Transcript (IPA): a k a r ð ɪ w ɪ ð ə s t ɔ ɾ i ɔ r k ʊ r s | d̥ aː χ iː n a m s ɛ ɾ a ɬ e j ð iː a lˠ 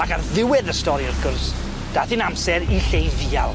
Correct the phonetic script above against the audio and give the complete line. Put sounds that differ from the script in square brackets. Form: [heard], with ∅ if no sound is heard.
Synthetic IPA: a k a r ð ɪ w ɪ ð ə s t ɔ ɾ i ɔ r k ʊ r s | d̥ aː [θ] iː n a m s ɛ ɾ [i] ɬ e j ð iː a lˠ